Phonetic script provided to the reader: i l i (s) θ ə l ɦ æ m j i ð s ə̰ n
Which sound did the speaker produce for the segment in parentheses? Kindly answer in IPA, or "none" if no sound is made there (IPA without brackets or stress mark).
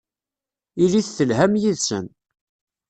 θ